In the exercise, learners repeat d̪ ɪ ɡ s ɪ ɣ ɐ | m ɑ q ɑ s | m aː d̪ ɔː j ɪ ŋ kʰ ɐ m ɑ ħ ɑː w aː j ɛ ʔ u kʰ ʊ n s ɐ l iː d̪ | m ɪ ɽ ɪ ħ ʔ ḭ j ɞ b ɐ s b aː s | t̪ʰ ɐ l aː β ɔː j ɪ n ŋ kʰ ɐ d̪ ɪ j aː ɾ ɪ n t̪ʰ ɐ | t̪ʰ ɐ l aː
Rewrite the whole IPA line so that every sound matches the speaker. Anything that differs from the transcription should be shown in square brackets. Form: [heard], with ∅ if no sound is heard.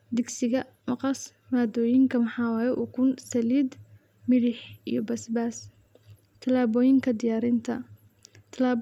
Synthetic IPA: d̪ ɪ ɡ s ɪ ɣ ɐ | m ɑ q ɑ s | m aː d̪ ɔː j ɪ ŋ kʰ ɐ m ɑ ħ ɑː w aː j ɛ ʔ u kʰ ʊ n s ɐ l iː d̪ | m ɪ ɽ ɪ ħ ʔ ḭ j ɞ b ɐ s b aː s | t̪ʰ ɐ l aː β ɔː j ɪ [∅] ŋ kʰ ɐ d̪ ɪ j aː ɾ ɪ n t̪ʰ ɐ | t̪ʰ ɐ l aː

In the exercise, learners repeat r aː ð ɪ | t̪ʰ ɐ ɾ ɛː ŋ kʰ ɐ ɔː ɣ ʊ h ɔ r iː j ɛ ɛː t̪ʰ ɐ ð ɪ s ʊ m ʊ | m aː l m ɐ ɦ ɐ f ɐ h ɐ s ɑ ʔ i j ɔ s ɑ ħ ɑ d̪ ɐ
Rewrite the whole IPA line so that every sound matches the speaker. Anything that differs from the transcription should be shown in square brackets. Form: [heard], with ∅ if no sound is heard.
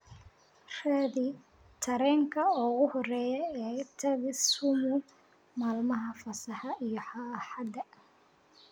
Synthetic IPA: r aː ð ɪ | t̪ʰ ɐ ɾ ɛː ŋ kʰ ɐ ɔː ɣ ʊ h ɔ r [ɛː] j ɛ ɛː t̪ʰ ɐ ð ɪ s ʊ m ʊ | m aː l m ɐ ɦ ɐ f ɐ [s] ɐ [ħ] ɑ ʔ i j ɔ [ħ] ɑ ħ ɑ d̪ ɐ

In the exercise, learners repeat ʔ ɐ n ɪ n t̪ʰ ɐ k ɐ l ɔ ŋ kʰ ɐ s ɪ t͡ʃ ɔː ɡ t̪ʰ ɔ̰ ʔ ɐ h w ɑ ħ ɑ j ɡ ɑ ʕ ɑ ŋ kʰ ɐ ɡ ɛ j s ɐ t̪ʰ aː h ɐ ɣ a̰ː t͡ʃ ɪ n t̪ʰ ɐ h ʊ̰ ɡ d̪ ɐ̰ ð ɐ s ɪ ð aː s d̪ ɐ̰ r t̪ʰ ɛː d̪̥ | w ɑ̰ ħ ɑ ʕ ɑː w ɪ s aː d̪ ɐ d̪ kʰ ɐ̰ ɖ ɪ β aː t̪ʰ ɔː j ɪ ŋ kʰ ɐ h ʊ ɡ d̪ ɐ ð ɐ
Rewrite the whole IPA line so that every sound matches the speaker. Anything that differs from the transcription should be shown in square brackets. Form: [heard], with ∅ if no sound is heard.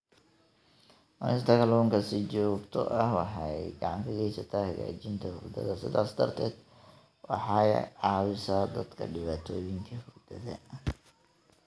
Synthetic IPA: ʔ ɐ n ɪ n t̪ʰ ɐ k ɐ l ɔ ŋ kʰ ɐ s ɪ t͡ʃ ɔː ɡ t̪ʰ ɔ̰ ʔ ɐ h w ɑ ħ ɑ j ɡ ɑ ʕ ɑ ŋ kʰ ɐ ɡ ɛ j s ɐ t̪ʰ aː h ɐ ɣ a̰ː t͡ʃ ɪ n t̪ʰ ɐ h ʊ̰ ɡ d̪ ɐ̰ ð ɐ s ɪ ð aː s d̪ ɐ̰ r t̪ʰ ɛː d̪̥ | w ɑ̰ ħ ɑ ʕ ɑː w ɪ s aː d̪ ɐ d̪ kʰ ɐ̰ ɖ ɪ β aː t̪ʰ ɔː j ɪ ŋ kʰ ɐ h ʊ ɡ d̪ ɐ ð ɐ

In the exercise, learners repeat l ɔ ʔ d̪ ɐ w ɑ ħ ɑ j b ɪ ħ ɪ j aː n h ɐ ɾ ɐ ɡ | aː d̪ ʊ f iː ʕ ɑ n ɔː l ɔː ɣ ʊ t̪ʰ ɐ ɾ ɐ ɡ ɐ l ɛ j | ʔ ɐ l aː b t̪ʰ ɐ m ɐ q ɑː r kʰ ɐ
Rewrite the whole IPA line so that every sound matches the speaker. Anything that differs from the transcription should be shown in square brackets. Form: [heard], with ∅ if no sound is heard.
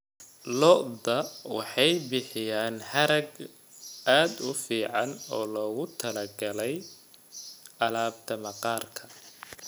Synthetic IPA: l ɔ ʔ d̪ ɐ w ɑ ħ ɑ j b ɪ ħ ɪ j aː n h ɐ ɾ ɐ ɡ | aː d̪ ʊ f iː ʕ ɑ n ɔː l ɔː ɣ ʊ t̪ʰ ɐ [l] ɐ ɡ ɐ l ɛ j | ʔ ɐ l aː b t̪ʰ ɐ m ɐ q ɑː r kʰ ɐ

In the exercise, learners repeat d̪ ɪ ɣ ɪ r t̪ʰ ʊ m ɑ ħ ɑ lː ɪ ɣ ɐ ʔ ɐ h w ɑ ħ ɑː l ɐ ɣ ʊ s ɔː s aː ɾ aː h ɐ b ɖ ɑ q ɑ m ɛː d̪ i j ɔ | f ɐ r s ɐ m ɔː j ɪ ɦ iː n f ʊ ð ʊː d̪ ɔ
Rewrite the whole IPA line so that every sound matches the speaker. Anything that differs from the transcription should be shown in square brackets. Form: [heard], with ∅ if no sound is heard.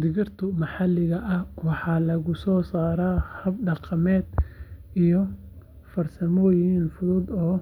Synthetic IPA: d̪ ɪ ɣ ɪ r t̪ʰ ʊ m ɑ ħ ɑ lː ɪ ɣ ɐ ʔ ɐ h w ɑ ħ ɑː l ɐ ɣ ʊ s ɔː s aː ɾ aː h ɐ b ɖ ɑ q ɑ m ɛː d̪ i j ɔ | f ɐ r s ɐ m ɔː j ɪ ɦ iː n f ʊ ð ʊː d̪ [ɔː]

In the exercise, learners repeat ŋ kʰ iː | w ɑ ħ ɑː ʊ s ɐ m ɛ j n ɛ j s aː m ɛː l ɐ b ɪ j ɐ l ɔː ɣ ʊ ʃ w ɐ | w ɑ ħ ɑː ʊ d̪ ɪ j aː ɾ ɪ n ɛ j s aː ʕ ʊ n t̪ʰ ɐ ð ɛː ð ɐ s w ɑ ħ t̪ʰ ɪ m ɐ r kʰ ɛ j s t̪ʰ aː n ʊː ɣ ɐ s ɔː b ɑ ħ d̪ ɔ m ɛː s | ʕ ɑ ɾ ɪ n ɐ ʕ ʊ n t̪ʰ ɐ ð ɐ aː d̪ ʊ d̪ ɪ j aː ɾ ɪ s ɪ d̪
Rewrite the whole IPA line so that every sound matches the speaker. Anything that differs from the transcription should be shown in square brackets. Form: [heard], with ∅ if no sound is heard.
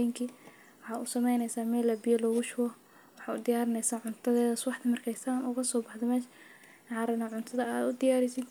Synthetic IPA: ŋ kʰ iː | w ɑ ħ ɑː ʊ s ɐ m ɛ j n ɛ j s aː m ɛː l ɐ b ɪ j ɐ l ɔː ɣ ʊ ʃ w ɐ | w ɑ ħ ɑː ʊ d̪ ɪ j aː ɾ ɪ n ɛ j s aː ʕ ʊ n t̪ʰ ɐ ð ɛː ð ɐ s w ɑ ħ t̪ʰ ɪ m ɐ r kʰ ɛ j s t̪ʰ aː n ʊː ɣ ɐ s ɔː b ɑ ħ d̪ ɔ m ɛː [ʃ] | ʕ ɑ ɾ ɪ n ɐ ʕ ʊ n t̪ʰ ɐ ð ɐ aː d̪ ʊ d̪ ɪ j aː ɾ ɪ s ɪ d̪

